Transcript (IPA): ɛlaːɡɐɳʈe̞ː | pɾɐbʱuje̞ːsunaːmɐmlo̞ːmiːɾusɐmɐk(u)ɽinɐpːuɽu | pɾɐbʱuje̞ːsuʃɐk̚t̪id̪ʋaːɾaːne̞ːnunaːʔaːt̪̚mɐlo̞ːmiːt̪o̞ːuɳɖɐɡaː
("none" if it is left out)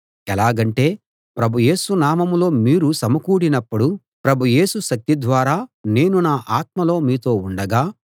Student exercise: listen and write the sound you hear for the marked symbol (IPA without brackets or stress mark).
uː